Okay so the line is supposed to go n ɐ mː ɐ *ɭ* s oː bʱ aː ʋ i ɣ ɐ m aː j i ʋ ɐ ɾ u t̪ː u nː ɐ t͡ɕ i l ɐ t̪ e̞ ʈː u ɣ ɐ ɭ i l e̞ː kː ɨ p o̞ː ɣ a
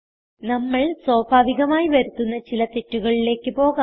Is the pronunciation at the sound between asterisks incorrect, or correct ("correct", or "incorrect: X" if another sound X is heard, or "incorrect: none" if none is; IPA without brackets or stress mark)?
correct